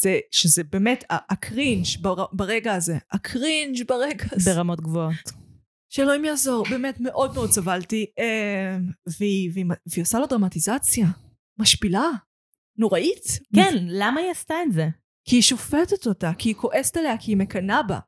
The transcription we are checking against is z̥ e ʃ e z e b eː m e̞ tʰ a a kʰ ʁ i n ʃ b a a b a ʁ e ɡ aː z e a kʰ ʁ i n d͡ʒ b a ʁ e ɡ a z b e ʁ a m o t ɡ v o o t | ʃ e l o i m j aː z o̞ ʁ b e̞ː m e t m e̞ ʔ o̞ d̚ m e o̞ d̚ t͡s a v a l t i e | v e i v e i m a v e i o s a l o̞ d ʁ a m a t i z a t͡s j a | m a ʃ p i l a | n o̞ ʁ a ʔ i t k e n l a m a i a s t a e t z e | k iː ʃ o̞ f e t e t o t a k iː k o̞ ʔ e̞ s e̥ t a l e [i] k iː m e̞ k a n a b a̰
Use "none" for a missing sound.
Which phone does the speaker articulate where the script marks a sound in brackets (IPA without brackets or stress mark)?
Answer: a